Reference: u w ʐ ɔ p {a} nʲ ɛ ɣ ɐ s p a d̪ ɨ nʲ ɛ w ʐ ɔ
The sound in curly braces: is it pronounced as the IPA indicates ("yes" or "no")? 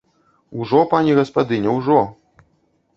yes